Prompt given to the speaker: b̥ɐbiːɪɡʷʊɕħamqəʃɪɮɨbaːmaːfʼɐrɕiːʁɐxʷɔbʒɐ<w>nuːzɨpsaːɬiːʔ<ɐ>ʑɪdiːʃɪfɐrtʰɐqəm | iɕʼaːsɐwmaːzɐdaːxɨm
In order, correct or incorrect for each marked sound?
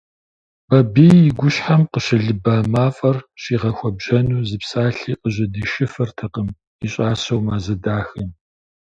incorrect, incorrect

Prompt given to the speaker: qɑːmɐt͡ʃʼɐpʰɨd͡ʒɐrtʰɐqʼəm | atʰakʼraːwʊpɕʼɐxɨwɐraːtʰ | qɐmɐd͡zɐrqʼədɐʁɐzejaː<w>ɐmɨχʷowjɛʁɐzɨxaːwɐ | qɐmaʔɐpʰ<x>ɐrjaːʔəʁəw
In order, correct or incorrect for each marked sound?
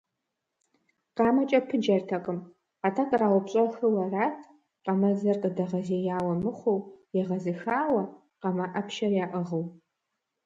correct, incorrect

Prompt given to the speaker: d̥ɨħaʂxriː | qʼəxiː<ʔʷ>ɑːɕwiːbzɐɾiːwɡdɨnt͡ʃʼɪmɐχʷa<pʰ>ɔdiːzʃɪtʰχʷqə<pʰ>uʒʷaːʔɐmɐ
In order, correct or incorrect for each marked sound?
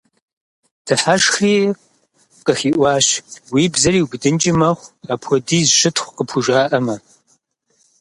correct, correct, correct

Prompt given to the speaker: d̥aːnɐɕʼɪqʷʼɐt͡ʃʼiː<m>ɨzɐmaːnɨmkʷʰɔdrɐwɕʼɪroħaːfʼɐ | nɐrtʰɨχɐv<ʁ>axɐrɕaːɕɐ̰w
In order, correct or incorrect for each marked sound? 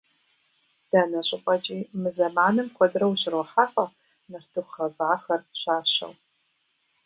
correct, incorrect

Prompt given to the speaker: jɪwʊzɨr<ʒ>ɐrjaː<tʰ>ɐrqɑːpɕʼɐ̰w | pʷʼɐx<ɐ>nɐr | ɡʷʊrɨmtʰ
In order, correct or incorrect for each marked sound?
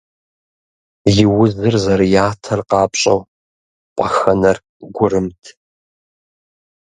incorrect, correct, correct

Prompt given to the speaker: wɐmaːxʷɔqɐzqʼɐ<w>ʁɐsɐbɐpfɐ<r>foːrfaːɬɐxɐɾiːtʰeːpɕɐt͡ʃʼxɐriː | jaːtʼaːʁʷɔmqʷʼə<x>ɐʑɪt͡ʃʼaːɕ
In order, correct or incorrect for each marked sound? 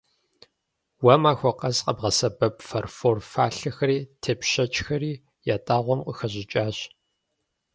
incorrect, correct, correct

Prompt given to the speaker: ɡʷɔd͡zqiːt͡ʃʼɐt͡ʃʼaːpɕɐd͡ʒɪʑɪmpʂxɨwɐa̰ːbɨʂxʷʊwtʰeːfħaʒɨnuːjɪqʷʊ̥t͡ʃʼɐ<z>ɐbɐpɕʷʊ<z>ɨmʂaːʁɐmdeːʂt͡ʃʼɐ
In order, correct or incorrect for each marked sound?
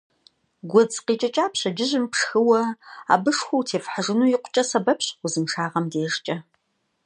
incorrect, correct

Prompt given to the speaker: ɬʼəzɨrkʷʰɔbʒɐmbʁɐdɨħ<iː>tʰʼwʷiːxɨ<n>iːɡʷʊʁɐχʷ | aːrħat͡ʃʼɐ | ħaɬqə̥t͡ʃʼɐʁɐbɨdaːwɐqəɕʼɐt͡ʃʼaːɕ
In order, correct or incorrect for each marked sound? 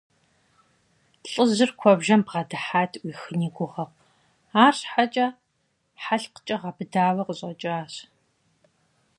incorrect, correct

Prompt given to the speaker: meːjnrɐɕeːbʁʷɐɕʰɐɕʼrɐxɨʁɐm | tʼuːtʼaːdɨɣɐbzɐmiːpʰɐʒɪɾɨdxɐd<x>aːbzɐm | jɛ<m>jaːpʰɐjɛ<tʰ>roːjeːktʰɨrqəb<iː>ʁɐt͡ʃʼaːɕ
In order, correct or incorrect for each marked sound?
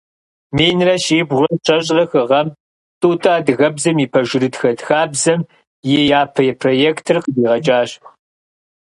correct, incorrect, incorrect, correct

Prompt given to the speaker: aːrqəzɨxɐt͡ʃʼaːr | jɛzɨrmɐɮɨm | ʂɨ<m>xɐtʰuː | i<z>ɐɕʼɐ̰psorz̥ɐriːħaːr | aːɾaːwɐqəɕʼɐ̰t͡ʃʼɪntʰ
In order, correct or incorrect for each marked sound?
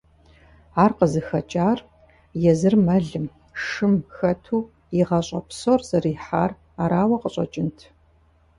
correct, incorrect

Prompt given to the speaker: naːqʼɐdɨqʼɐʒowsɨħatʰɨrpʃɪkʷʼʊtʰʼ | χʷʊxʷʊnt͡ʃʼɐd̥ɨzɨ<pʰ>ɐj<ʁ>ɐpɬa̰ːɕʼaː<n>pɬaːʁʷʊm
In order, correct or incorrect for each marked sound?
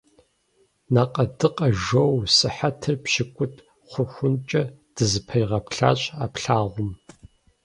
correct, correct, incorrect

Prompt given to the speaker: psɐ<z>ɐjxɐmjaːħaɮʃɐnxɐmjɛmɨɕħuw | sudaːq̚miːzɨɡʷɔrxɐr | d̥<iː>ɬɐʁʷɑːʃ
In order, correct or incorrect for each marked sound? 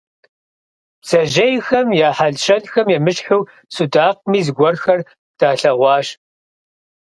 incorrect, incorrect

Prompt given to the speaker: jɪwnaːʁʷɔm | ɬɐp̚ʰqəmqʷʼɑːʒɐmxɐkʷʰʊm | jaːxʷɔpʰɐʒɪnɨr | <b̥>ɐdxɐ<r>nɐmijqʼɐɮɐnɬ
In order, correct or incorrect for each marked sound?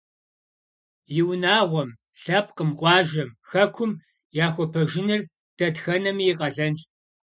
incorrect, incorrect

